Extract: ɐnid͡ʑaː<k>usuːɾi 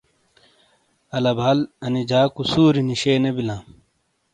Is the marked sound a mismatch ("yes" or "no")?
no